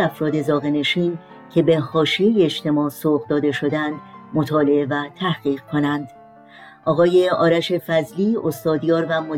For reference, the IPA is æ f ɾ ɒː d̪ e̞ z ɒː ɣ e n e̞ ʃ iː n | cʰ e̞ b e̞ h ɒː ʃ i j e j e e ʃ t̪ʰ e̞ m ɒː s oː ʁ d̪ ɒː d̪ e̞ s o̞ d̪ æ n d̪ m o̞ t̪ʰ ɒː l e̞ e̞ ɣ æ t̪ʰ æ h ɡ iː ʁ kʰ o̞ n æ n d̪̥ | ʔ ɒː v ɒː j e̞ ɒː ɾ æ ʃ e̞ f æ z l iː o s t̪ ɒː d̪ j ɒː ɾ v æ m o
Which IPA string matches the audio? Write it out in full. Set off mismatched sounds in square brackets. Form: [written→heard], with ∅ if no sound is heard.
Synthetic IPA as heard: æ f ɾ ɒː d̪ e̞ z ɒː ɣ e n e̞ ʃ iː n | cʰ e̞ b e̞ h ɒː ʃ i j e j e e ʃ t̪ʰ e̞ m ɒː s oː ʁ d̪ ɒː d̪ e̞ [s→ʃ] o̞ d̪ æ n d̪ m o̞ t̪ʰ ɒː l e̞ e̞ [ɣ→v] æ t̪ʰ æ h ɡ iː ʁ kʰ o̞ n æ n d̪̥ | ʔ ɒː [v→ɣ] ɒː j e̞ ɒː ɾ æ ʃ e̞ f æ z l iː o s t̪ ɒː d̪ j ɒː ɾ v æ m o